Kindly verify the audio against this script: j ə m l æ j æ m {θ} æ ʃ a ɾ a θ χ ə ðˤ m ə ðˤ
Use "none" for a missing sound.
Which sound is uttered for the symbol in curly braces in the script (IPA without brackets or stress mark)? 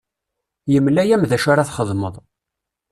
ð